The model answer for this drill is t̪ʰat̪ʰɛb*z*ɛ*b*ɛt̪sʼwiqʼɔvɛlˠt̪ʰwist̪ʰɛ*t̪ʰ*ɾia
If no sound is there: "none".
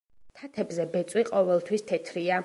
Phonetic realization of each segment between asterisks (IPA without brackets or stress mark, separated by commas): z, b, t̪ʰ